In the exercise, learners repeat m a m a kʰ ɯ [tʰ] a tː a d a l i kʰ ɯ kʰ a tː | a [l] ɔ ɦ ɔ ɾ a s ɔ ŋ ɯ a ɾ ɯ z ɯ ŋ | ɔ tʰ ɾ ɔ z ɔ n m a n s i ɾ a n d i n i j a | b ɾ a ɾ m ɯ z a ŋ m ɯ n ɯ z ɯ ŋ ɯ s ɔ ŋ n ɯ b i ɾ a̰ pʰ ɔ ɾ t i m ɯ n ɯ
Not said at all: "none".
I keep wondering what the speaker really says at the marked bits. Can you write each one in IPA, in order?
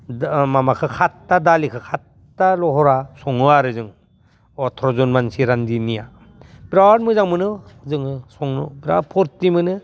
kʰ, l

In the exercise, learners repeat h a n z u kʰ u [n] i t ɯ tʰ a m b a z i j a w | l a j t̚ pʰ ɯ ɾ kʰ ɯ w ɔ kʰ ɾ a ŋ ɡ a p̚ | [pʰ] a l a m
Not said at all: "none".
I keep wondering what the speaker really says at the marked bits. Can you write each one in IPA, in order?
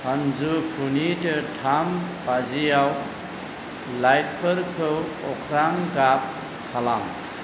n, kʰ

